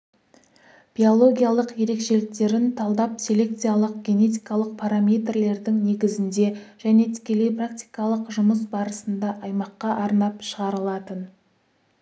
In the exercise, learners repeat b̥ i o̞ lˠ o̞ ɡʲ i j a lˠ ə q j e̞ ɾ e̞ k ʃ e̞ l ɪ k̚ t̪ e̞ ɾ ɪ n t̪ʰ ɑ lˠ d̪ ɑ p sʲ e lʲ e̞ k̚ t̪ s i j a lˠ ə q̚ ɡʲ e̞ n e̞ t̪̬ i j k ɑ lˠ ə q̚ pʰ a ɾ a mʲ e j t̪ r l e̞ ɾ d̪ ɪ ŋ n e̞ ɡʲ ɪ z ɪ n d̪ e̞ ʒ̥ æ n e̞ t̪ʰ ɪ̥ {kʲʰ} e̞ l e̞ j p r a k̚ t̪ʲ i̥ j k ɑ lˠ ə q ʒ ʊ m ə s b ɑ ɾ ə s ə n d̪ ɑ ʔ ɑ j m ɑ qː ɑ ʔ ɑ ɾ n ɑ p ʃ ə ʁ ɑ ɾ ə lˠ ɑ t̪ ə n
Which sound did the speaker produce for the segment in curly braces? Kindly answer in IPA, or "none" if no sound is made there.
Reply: kʲ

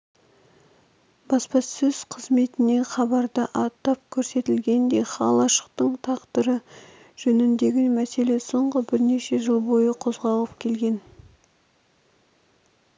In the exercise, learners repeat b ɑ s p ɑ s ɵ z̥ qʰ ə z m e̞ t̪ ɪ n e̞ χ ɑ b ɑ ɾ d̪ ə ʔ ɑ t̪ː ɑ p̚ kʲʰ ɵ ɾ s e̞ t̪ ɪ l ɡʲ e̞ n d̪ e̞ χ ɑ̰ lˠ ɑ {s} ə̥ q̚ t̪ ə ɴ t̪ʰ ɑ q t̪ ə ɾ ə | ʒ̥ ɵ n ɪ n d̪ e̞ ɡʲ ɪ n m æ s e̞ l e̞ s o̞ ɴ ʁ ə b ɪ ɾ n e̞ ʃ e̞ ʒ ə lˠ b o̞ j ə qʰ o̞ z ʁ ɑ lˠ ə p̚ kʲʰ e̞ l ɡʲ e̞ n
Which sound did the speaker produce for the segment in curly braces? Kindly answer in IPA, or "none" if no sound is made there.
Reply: ʃ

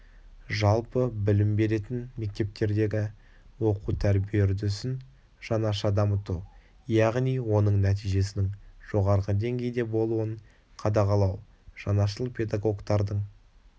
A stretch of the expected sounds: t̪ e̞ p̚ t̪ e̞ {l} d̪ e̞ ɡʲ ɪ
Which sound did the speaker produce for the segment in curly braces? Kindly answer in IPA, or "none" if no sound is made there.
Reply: ɾ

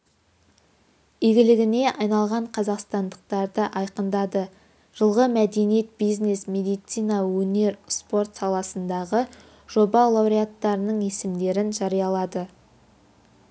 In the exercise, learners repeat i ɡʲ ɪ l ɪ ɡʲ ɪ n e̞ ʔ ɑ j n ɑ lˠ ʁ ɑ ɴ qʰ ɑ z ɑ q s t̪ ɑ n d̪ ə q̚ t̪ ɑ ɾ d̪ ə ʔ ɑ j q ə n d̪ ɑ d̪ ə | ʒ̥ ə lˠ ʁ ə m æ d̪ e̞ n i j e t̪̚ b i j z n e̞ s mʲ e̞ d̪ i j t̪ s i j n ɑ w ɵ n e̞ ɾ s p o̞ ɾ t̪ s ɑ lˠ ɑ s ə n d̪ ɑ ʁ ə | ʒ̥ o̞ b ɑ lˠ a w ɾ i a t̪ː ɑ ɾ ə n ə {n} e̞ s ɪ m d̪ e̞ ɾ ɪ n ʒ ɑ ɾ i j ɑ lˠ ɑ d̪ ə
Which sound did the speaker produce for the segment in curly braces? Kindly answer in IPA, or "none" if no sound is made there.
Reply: ɴ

